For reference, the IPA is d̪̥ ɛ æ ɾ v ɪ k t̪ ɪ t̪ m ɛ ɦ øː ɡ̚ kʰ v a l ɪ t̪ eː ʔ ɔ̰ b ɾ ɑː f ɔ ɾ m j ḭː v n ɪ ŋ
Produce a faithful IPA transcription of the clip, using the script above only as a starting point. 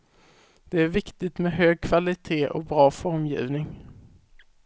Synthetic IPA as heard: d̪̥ ɛ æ ɾ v ɪ k t̪ ɪ t̪ m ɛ ɦ øː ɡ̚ kʰ v a l ɪ t̪ʰ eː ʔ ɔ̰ b ɾ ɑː f ɔ ɾ m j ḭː v n ɪ ŋ